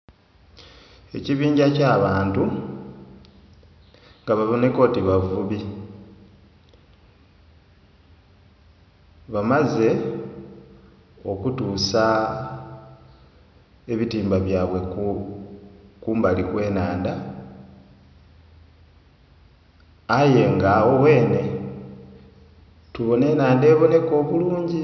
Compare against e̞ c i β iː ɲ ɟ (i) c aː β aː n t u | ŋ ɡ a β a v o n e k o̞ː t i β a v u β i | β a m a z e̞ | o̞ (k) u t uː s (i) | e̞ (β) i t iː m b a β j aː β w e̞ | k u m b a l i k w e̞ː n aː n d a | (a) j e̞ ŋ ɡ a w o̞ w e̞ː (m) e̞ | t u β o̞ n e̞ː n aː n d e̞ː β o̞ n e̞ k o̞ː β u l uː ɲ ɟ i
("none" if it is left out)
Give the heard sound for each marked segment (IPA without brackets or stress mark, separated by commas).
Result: a, k, a, β, a, n